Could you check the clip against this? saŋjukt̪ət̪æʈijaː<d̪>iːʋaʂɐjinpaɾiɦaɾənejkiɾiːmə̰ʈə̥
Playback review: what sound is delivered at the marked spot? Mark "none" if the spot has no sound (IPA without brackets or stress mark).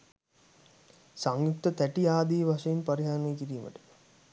d̪